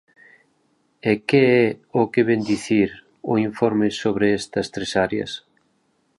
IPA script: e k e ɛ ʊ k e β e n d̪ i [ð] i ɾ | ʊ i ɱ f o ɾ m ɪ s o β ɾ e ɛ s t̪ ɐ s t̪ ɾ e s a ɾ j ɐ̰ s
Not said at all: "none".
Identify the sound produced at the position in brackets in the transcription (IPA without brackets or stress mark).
θ